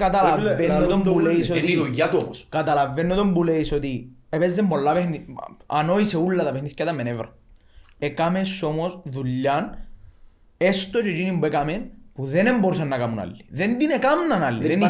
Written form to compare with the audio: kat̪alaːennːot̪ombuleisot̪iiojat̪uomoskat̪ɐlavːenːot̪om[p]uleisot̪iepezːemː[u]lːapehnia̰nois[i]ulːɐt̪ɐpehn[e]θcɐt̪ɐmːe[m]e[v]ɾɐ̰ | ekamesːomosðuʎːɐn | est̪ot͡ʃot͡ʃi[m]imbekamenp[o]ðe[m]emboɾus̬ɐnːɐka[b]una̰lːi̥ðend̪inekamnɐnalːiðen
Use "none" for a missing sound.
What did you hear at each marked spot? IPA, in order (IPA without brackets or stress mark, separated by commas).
b, o, e, i, n, v, n, u, n, m